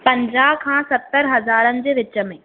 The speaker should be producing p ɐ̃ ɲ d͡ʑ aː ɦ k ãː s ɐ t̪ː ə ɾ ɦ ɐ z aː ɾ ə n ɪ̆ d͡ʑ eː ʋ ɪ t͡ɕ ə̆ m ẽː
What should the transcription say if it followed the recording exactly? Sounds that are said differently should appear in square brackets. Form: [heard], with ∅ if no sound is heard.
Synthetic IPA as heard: p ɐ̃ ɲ d͡ʑ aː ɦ [kʰ] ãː s ɐ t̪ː ə ɾ ɦ ɐ z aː ɾ ə n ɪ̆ d͡ʑ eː ʋ ɪ t͡ɕ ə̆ m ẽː